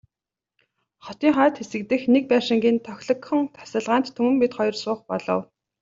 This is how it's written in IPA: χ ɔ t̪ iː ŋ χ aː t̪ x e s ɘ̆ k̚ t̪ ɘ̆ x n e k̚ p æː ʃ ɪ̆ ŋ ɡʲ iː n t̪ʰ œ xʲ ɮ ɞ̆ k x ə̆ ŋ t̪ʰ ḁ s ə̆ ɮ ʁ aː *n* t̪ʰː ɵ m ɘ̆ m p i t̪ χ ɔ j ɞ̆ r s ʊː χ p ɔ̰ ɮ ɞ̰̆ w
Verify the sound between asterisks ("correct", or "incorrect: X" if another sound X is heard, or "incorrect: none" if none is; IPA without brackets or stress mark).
correct